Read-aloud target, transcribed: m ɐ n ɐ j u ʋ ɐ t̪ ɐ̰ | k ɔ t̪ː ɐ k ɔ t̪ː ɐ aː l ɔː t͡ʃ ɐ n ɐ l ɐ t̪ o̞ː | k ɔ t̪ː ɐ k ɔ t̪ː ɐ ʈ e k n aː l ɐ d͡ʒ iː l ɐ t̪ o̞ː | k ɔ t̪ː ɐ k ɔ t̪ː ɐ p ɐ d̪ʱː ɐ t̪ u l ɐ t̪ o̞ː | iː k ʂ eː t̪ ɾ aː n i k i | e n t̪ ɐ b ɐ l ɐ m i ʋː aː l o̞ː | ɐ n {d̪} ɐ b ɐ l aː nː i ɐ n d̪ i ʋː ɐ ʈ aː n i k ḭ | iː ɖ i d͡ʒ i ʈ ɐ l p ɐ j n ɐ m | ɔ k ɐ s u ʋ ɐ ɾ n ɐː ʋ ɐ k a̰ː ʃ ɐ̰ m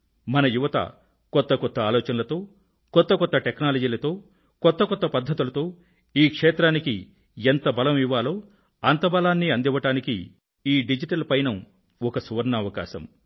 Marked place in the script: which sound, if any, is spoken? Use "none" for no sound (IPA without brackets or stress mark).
t̪